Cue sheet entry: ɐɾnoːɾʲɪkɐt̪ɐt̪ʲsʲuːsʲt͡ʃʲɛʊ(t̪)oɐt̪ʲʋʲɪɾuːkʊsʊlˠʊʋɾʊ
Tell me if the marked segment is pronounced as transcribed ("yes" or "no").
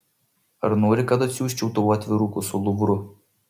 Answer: yes